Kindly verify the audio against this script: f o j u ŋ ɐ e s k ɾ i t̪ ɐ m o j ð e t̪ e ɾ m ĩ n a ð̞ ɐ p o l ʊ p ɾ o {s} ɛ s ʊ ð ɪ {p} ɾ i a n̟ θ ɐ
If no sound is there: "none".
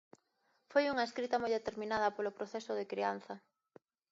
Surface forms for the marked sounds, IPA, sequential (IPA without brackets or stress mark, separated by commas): θ, k